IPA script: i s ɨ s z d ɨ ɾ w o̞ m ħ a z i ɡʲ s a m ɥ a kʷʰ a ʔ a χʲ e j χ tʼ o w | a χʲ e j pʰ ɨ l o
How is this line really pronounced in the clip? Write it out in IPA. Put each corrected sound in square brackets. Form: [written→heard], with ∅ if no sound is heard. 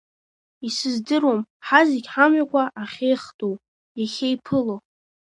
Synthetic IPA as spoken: i s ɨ [s→∅] z d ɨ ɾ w o̞ m ħ a z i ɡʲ [s→ħ] a m ɥ a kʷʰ a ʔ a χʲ e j χ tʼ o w | a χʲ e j pʰ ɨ l o